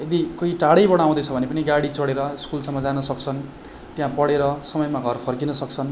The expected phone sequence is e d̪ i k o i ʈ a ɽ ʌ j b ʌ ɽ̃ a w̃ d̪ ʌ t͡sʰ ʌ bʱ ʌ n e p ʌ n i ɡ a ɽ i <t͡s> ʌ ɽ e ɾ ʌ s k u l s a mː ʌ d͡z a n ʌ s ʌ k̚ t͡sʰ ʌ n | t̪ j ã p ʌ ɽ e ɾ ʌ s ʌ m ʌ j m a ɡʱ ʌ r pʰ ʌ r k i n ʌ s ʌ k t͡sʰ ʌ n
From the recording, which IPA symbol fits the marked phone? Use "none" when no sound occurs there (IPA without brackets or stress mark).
t͡s